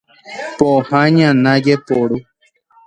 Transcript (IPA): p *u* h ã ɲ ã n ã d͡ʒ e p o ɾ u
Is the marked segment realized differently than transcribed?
yes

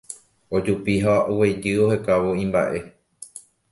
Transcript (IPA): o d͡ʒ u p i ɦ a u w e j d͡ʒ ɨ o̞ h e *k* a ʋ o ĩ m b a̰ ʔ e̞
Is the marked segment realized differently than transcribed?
no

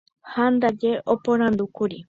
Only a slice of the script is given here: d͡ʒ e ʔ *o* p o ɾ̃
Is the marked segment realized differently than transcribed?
no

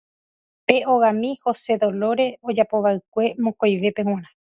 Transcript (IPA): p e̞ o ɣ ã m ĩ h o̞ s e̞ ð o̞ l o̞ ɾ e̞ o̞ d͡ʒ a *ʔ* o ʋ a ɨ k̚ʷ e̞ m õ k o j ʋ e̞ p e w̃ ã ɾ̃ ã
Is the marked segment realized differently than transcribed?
yes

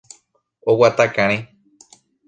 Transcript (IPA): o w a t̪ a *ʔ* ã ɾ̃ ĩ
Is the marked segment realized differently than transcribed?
yes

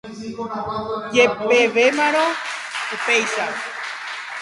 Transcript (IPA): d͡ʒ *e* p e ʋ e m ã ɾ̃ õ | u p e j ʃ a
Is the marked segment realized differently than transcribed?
no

